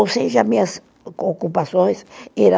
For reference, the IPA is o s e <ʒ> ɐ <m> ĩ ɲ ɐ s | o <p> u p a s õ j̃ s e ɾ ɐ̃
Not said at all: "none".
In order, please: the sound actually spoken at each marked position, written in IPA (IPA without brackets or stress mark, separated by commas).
ʒ, m, k